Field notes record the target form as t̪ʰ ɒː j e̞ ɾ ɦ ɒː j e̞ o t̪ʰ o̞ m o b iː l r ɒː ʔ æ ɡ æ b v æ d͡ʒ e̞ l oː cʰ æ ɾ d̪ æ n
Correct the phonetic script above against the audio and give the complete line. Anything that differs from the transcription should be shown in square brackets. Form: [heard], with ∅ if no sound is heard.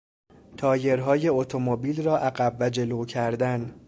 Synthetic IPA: t̪ʰ ɒː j e̞ ɾ ɦ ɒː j e̞ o t̪ʰ o̞ m o b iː l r ɒː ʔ æ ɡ æ b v æ d͡ʒ e̞ l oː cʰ æ ɾ d̪ æ n